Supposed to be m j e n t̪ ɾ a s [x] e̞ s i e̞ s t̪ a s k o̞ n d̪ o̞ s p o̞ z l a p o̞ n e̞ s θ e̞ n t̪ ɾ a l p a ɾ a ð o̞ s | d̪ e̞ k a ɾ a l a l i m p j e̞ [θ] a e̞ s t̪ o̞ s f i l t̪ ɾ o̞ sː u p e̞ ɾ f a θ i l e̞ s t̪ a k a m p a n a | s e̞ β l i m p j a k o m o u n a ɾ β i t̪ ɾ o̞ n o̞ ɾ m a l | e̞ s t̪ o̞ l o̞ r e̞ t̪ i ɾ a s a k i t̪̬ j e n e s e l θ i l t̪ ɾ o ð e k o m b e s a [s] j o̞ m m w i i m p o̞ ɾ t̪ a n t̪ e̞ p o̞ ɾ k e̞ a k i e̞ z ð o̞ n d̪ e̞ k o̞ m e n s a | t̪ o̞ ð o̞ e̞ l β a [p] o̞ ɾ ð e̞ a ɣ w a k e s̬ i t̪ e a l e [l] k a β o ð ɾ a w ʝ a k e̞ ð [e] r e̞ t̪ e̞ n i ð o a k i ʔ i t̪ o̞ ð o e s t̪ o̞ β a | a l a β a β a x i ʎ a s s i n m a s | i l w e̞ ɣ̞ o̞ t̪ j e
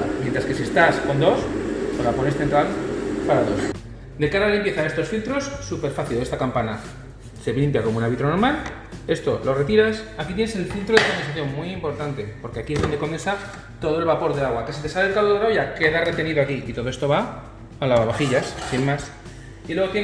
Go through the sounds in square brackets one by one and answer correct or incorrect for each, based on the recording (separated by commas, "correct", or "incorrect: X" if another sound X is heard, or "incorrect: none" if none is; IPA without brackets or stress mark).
incorrect: k, correct, incorrect: θ, correct, correct, incorrect: a